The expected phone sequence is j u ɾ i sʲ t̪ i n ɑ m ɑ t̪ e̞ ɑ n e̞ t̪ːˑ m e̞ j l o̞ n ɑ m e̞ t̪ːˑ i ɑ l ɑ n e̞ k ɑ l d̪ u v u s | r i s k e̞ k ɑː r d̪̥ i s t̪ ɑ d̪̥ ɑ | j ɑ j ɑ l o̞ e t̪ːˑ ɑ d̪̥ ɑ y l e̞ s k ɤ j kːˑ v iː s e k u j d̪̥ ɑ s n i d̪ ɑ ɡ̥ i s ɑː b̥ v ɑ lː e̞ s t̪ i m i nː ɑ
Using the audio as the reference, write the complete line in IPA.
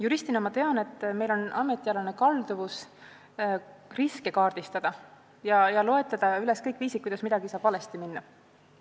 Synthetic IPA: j u ɾ i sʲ t̪ i n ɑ m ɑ t̪ e̞ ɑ n e̞ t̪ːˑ m e̞ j l o̞ n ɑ m e̞ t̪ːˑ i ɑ l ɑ n e̞ k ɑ l d̪ u v u s | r i s k e̞ k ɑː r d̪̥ i s t̪ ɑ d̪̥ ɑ | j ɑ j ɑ l o̞ e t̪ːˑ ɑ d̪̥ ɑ y l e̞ s k ɤ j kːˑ v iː s i k u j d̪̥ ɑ s m i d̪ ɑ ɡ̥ i s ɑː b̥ v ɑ l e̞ s t̪ i m i nː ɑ